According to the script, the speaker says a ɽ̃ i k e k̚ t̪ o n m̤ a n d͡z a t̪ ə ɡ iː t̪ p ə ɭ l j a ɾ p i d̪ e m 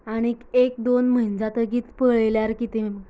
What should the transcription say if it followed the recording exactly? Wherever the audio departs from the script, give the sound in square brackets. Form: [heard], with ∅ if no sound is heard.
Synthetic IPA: a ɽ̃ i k e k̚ [d̪] o n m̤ [ə] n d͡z a t̪ ə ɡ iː t̪ p ə ɭ l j a ɾ [k] i [t̪] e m